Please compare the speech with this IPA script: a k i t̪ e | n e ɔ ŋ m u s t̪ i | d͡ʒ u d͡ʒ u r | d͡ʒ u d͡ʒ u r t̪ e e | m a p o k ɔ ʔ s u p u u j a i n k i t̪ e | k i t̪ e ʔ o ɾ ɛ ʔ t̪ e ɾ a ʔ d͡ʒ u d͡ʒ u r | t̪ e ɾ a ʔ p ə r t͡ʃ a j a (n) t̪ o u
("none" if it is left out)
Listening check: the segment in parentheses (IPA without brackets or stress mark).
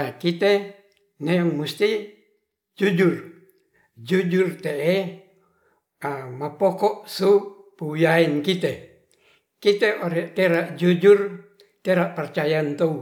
n